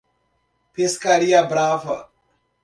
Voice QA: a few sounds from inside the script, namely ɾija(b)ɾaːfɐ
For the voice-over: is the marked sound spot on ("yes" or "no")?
yes